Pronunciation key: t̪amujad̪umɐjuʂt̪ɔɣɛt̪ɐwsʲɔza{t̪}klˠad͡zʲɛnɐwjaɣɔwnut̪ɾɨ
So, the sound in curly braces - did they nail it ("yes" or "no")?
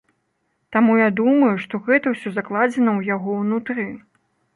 no